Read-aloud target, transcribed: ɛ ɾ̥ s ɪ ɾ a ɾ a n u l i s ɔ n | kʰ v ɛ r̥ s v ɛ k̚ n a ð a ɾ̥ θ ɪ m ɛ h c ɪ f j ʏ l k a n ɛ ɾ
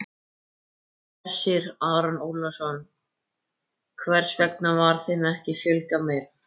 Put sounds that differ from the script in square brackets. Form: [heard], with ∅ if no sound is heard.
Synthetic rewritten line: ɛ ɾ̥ s ɪ ɾ a ɾ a n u l [a] s ɔ n | kʰ v ɛ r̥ s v ɛ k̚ n a [v] a ɾ̥ θ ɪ m ɛ h c ɪ f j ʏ l k a [m] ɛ ɾ